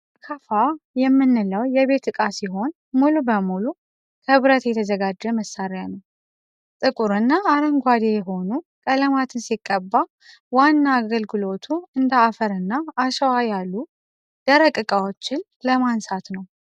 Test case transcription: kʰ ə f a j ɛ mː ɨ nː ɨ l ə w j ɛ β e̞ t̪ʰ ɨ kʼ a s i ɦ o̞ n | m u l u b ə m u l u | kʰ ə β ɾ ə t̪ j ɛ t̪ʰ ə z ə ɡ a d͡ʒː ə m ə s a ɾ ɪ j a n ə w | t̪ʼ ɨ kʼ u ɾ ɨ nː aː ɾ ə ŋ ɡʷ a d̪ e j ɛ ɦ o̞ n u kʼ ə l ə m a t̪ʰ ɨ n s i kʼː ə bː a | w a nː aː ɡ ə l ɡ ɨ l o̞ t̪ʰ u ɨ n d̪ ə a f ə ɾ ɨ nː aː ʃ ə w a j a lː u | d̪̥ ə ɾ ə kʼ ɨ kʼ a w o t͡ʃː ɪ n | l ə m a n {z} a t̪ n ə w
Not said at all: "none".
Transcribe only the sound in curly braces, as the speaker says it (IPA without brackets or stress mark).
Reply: s